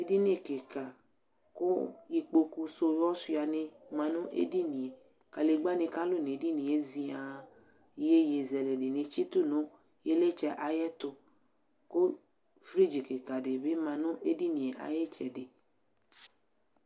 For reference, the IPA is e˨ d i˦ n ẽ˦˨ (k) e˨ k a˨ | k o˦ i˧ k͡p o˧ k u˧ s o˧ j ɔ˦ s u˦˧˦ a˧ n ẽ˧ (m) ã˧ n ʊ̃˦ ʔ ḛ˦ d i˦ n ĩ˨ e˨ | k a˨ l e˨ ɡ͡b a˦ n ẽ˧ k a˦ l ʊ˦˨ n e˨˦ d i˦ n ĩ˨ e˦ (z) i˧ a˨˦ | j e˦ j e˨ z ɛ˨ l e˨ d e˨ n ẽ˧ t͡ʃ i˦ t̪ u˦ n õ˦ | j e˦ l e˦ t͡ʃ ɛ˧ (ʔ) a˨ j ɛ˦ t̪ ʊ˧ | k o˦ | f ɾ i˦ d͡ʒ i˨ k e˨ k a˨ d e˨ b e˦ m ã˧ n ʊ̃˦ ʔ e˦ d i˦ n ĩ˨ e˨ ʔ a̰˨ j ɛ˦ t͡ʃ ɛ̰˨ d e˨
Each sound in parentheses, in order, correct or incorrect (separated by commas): correct, correct, correct, correct